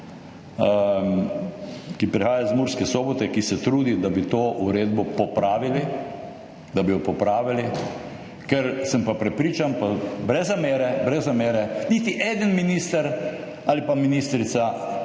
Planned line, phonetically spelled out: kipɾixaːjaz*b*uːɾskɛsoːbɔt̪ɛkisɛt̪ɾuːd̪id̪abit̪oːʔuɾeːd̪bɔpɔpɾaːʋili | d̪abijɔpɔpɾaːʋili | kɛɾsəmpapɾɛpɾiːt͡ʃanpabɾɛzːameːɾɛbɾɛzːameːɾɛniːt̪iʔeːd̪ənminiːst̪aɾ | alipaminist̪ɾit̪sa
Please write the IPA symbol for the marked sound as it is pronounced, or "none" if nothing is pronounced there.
m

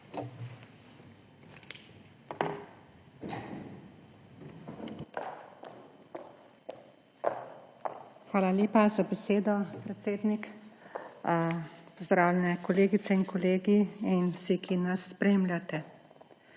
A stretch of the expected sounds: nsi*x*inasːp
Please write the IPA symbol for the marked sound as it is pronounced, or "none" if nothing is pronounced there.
k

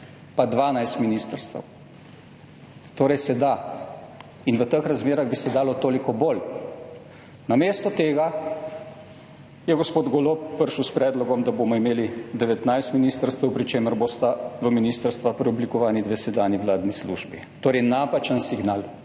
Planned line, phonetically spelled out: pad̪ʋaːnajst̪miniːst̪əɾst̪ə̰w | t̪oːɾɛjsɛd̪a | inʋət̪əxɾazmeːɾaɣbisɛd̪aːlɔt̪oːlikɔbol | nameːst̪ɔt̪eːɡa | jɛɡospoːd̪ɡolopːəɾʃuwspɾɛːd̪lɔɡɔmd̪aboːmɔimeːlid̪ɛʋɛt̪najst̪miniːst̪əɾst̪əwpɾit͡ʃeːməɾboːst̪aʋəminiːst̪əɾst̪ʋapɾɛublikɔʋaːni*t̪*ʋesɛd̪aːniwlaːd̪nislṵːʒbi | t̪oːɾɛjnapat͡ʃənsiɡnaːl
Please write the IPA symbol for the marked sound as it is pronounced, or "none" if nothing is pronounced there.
d̪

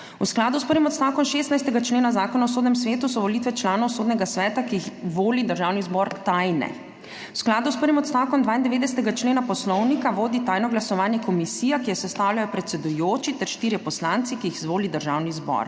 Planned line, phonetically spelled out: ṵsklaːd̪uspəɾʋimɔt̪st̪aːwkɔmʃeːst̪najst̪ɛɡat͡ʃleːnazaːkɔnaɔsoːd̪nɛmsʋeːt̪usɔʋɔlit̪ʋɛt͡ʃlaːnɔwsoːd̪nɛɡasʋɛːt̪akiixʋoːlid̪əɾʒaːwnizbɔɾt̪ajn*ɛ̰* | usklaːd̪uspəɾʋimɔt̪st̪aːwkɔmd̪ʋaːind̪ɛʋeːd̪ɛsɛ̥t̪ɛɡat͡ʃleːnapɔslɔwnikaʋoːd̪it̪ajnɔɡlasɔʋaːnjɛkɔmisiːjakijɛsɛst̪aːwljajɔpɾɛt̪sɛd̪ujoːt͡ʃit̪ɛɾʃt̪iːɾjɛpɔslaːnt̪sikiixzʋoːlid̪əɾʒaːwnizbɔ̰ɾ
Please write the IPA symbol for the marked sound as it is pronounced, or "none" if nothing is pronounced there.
ɛ̰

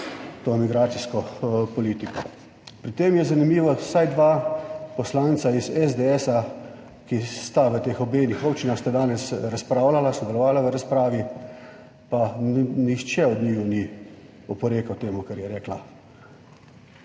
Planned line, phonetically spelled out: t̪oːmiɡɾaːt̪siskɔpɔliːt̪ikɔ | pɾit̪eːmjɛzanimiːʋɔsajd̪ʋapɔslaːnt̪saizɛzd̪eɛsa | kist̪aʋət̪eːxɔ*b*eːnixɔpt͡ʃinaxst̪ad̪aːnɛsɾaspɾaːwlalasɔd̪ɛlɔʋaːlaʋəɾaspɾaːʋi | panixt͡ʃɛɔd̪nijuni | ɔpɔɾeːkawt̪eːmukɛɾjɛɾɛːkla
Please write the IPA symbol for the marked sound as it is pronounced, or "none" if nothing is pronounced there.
b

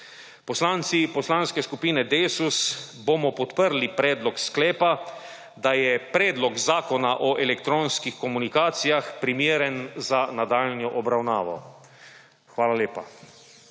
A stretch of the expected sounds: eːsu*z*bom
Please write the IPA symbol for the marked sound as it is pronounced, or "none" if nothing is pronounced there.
s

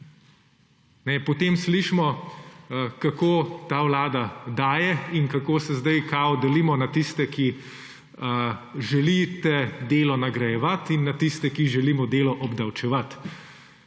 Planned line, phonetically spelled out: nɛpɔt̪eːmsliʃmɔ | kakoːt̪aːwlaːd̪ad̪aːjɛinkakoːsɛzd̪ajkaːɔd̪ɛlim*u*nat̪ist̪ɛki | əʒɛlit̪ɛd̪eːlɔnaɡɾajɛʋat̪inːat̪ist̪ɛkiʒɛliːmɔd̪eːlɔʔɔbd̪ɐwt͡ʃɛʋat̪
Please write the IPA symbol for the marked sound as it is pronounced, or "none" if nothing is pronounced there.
ɔ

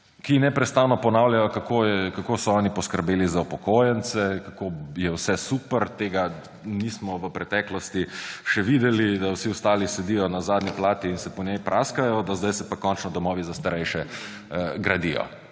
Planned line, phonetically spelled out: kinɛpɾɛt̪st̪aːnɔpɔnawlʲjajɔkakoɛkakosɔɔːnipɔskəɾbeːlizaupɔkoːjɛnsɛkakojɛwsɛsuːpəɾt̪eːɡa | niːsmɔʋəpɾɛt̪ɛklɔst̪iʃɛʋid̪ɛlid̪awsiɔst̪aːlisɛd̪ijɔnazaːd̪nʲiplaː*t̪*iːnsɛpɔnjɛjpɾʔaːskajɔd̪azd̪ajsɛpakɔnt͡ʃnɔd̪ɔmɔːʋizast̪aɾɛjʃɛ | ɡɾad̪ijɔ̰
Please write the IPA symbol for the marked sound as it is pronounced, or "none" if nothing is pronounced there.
t̪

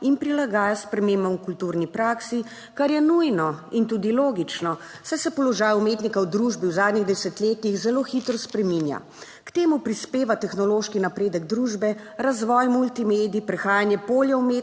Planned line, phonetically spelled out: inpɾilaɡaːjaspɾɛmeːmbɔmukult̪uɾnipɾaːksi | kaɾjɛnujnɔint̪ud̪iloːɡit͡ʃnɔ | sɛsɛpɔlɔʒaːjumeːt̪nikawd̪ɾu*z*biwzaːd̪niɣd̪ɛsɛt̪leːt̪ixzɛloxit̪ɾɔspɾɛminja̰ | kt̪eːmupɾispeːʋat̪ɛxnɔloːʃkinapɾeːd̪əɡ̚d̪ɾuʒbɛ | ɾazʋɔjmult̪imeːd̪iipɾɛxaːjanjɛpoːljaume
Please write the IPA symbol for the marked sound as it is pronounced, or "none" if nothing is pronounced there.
ʒ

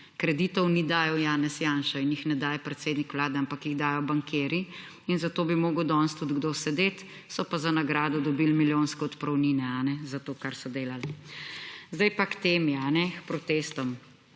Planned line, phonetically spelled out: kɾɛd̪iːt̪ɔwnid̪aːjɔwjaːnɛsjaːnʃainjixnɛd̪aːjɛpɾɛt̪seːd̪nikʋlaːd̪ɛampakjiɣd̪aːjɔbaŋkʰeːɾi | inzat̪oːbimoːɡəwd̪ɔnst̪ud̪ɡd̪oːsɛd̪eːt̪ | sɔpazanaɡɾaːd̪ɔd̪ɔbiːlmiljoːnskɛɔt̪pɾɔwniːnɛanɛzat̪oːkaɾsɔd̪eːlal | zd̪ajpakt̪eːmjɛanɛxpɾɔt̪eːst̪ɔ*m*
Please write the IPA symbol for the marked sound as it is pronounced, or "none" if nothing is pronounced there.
m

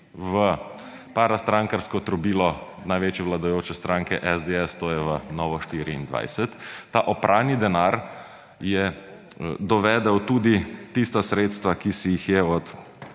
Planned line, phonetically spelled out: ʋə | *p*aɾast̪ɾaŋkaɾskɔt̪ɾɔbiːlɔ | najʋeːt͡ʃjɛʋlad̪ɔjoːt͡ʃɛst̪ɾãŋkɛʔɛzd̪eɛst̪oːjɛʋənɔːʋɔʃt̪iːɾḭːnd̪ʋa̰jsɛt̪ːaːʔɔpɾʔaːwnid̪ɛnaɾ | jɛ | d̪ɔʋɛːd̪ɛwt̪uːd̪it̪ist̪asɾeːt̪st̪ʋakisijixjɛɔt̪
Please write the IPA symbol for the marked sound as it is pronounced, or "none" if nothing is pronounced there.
p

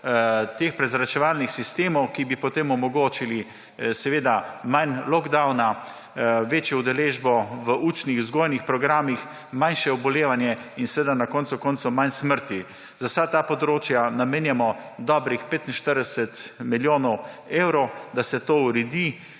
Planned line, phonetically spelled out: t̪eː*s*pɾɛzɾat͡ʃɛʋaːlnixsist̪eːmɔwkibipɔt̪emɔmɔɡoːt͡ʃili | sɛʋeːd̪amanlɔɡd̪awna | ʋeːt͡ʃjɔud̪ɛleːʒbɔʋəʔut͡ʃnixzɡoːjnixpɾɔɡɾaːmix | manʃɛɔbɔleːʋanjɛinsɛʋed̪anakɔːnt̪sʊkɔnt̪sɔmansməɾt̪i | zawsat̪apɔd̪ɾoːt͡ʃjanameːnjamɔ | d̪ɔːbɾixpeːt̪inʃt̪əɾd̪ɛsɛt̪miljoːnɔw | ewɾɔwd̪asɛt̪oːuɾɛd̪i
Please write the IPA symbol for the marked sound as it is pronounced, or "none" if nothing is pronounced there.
x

